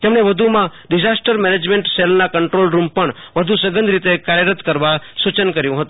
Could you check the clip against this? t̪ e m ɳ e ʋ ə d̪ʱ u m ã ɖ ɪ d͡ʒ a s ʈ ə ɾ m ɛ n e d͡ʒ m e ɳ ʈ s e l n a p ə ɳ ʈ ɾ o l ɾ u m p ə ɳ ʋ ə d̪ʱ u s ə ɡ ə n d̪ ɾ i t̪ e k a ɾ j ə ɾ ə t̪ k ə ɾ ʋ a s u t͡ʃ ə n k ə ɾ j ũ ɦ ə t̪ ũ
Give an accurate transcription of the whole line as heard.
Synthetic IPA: t̪ e m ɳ e ʋ ə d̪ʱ u m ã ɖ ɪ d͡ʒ a s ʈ ə ɾ m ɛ n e d͡ʒ m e ɳ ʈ s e l n a k ə ɳ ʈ ɾ o l ɾ u m p ə ɳ ʋ ə d̪ʱ u s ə ɡ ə n d̪ ɾ i t̪ e k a ɾ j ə ɾ ə t̪ k ə ɾ ʋ a s u t͡ʃ ə n k ə ɾ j ũ ɦ ə t̪ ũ